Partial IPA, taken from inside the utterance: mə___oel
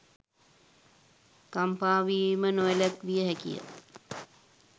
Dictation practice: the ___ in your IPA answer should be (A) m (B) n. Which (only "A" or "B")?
B